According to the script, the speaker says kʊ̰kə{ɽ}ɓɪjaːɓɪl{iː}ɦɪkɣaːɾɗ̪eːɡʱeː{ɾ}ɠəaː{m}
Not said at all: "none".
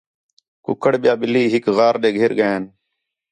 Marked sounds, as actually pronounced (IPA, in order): ɽ, iː, ɾ, n

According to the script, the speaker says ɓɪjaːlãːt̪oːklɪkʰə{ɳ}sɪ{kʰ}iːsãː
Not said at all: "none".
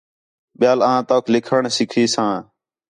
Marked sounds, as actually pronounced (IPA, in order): ɳ, kʰ

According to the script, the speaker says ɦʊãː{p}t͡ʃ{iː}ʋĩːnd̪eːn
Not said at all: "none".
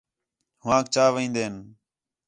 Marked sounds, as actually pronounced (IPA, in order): k, aː

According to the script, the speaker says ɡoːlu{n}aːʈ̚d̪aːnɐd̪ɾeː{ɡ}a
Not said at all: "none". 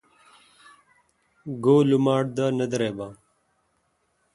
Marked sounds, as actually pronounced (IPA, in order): m, b

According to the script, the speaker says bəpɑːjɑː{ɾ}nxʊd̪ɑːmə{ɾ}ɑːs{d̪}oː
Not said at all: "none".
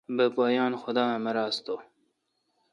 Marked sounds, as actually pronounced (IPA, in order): none, ɾ, t̪

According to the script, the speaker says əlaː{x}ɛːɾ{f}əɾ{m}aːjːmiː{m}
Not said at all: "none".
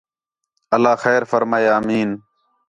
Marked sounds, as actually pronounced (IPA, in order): x, f, m, n

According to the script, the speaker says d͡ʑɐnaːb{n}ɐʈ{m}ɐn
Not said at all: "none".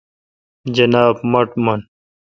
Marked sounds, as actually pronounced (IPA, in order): m, m

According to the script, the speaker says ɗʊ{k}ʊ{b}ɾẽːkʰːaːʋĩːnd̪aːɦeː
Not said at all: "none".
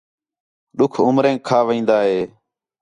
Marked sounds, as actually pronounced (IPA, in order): kʰ, m

